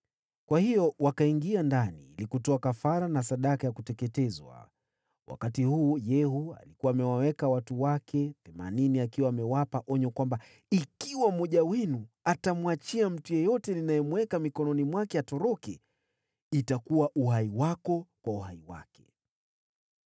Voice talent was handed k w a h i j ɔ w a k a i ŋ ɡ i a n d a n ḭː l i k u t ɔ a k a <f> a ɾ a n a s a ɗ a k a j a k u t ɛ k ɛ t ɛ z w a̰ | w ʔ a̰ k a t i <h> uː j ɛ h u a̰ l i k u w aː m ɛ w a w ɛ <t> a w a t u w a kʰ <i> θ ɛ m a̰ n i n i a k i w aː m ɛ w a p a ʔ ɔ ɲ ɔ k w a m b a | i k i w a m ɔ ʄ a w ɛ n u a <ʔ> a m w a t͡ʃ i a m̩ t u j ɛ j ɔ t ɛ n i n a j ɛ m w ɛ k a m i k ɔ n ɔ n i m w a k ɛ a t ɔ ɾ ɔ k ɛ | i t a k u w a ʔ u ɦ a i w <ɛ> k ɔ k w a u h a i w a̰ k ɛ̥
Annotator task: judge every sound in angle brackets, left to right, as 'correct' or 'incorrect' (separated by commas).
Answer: correct, correct, incorrect, incorrect, incorrect, incorrect